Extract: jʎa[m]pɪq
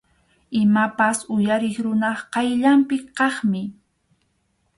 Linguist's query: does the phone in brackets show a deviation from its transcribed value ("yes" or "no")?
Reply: no